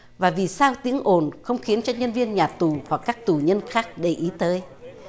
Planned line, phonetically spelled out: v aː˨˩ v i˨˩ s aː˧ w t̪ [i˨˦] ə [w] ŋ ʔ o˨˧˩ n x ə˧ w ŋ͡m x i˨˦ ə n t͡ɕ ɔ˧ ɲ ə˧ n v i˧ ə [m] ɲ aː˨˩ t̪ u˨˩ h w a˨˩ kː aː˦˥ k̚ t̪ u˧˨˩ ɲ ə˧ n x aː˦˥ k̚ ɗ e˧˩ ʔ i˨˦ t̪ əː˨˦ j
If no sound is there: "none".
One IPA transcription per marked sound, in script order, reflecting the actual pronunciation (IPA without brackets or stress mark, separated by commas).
i˨˦, none, n